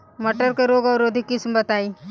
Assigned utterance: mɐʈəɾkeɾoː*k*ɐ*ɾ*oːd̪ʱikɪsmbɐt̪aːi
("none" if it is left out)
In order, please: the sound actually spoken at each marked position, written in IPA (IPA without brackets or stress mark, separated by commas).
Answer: ɡ, ɾ